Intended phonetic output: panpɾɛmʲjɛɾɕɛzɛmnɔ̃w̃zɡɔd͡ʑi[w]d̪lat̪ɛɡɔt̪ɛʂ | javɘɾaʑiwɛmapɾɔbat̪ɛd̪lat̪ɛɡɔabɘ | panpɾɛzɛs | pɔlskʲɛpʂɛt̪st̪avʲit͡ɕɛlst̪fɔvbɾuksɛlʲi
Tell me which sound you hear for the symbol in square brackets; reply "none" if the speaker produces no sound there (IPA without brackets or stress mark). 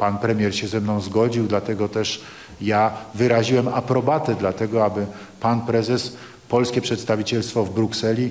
w